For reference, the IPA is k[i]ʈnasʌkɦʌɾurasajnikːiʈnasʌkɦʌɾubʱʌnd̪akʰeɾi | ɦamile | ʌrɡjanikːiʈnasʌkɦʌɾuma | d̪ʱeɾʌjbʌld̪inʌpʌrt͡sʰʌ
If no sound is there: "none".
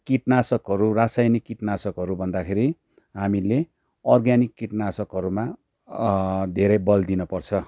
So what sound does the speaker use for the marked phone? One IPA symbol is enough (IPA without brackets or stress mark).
i